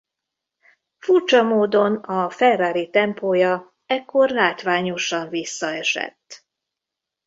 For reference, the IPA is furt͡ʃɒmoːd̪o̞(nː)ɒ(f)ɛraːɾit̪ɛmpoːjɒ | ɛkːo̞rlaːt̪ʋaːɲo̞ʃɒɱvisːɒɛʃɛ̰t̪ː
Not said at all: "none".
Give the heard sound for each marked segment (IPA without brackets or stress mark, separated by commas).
n, f